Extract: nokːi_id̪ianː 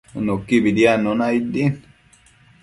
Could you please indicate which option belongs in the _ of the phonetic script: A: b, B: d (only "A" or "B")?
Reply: A